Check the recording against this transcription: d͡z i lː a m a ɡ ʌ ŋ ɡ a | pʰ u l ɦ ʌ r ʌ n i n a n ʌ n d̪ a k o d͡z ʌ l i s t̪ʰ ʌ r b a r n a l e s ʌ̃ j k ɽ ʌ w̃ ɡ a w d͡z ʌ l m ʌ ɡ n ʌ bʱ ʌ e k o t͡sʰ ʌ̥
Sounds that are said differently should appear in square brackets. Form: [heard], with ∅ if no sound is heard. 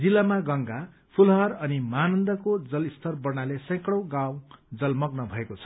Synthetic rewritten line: d͡z i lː a m a ɡ ʌ ŋ ɡ a | pʰ u l ɦ ʌ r ʌ n i [m] a n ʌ n d̪ [ʌ] k o d͡z ʌ l i s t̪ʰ ʌ r b [ʌ] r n a l e s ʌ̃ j k ɽ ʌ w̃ ɡ a w d͡z ʌ l m ʌ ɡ n ʌ bʱ ʌ e k o t͡sʰ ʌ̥